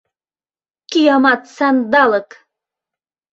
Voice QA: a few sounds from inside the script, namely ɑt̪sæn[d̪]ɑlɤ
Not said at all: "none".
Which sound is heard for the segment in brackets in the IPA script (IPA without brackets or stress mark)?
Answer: d̪